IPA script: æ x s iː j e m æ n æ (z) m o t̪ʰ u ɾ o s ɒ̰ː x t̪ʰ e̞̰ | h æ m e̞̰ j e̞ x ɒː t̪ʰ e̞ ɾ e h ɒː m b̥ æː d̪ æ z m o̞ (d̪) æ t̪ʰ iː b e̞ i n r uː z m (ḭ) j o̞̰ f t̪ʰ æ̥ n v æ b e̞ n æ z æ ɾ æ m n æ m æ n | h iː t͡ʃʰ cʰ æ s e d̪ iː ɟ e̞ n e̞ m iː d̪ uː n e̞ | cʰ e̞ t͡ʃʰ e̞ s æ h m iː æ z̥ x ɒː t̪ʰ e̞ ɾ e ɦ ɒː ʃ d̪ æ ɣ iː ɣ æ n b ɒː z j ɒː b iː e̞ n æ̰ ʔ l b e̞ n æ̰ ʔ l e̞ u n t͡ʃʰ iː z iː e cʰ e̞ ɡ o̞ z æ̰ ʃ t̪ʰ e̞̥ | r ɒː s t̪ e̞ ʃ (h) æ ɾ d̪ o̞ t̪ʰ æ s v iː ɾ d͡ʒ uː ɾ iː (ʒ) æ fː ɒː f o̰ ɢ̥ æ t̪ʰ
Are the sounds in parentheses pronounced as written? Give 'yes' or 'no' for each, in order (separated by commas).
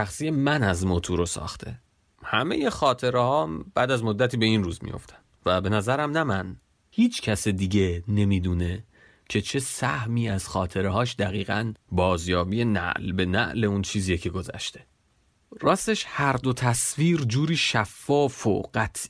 yes, no, yes, yes, no